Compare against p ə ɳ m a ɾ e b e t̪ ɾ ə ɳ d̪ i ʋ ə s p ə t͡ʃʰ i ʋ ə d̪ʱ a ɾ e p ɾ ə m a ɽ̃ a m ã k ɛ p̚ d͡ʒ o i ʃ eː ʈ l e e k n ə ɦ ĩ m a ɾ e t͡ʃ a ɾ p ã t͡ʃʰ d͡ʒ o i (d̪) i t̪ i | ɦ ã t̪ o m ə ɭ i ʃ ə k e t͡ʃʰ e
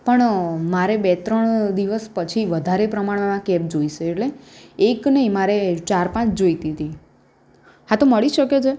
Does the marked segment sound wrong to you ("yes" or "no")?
yes